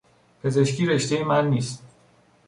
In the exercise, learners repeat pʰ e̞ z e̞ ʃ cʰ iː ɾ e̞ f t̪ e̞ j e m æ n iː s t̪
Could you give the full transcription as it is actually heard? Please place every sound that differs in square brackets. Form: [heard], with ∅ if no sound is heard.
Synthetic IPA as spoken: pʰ e̞ z e̞ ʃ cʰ iː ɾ e̞ [ʃ] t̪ e̞ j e m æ [nː] iː s t̪